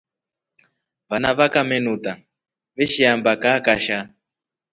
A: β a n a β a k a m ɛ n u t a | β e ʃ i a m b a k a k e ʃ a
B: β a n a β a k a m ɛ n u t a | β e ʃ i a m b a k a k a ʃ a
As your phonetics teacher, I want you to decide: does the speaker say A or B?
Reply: B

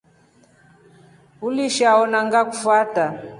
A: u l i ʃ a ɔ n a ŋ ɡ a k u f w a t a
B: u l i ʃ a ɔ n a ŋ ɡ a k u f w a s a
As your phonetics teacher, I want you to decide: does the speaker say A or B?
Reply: A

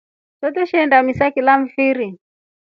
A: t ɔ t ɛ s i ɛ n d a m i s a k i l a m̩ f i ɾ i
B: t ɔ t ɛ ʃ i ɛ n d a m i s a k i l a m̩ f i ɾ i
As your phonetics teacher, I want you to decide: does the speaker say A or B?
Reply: B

